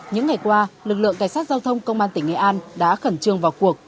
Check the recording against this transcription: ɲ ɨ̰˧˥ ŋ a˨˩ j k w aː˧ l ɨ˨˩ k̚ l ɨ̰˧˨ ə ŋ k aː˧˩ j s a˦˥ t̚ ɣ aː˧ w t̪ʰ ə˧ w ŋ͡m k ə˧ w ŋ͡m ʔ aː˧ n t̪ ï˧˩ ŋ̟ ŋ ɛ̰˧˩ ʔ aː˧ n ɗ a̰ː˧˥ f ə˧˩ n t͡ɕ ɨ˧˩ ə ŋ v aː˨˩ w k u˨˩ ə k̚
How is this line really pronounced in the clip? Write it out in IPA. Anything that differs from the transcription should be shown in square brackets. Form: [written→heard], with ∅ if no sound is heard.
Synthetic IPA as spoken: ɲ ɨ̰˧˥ ŋ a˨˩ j k w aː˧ l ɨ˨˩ k̚ l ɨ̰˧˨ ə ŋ k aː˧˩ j s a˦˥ t̚ [ɣ→z] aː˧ w t̪ʰ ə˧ w ŋ͡m k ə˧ w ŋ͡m ʔ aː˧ n t̪ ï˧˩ ŋ̟ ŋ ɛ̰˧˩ ʔ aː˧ n ɗ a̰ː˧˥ [f→x] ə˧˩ n t͡ɕ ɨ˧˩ ə ŋ v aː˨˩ w k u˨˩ ə k̚